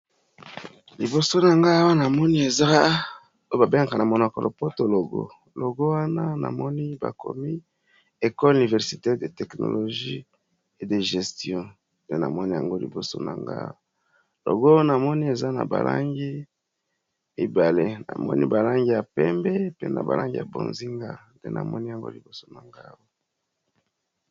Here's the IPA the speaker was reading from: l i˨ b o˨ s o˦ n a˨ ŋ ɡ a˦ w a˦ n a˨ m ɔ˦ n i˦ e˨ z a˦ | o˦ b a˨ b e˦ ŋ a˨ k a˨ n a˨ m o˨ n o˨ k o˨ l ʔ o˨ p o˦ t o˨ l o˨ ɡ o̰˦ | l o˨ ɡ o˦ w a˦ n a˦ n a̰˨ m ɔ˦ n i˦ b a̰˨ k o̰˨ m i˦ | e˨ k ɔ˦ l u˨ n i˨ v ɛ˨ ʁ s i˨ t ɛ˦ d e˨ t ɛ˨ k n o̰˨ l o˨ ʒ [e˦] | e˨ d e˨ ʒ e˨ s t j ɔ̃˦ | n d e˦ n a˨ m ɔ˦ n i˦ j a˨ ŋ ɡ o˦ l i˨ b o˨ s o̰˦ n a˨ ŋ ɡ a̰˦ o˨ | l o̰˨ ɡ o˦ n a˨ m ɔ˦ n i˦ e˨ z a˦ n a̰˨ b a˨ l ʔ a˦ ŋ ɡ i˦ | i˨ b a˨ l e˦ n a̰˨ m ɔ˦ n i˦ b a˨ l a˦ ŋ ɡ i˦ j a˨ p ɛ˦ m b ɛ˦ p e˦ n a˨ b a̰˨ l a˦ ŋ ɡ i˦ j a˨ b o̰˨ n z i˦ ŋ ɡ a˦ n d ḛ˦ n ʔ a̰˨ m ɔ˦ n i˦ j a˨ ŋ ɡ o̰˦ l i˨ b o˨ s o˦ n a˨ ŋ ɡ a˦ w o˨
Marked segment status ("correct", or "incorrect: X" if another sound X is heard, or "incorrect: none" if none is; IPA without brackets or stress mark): incorrect: i˦